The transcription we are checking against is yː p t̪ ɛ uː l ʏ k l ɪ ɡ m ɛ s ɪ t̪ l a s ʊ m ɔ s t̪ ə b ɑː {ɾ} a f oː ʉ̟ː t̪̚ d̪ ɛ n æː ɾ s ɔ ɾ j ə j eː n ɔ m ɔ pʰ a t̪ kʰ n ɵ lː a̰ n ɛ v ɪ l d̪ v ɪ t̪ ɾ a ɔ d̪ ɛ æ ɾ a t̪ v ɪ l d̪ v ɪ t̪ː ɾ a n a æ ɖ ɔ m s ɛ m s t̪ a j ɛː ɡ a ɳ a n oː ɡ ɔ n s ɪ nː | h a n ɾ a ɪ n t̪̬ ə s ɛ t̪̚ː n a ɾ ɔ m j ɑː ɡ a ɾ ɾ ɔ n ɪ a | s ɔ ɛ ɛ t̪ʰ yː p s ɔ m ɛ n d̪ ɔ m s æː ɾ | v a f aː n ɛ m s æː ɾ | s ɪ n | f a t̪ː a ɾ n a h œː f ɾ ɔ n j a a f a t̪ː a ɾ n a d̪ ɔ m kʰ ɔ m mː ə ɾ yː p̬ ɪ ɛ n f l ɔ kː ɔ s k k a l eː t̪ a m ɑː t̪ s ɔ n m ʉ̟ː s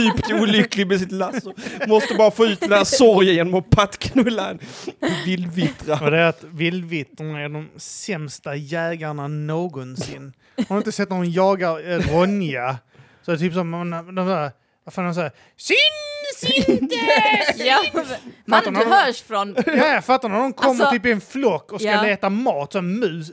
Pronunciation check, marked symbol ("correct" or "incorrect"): correct